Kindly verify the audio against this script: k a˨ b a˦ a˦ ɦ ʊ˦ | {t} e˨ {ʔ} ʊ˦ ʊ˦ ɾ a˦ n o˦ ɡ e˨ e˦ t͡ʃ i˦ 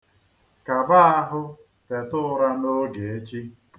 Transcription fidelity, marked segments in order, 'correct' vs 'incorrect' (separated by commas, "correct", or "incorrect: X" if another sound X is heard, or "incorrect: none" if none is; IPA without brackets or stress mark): correct, incorrect: t